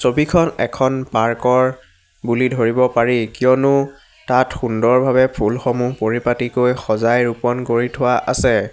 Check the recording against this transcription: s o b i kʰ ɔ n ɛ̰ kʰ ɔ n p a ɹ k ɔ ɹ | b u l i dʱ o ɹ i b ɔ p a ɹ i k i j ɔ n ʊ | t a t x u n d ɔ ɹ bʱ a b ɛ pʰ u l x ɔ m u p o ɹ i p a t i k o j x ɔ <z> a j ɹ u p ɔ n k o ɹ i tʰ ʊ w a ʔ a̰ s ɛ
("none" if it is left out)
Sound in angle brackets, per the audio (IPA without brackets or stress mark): z